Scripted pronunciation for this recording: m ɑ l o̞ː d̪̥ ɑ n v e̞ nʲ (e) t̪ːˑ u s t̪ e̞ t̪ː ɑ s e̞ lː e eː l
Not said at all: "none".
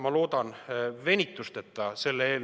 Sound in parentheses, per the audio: i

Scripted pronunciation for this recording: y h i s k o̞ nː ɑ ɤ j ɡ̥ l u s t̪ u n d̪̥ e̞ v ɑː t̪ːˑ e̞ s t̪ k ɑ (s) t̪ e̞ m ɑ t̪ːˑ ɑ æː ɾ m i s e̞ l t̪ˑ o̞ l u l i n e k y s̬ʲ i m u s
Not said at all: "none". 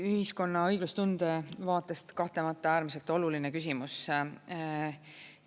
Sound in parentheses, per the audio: h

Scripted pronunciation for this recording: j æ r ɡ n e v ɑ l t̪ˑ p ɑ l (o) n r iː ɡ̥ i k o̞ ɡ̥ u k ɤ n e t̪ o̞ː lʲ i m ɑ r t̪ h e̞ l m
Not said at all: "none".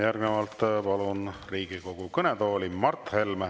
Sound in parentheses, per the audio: u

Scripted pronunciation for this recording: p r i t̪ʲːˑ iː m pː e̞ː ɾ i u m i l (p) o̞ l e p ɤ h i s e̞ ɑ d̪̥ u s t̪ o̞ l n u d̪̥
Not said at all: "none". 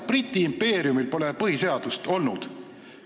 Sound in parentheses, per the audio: p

